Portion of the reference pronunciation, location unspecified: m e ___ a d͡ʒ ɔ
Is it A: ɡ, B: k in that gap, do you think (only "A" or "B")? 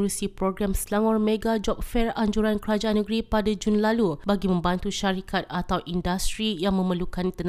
A